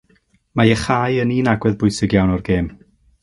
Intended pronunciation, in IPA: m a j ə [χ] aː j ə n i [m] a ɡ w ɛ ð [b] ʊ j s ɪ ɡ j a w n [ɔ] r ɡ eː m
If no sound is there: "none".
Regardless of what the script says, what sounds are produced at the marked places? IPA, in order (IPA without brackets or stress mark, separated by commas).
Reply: χ, n, b, ɔ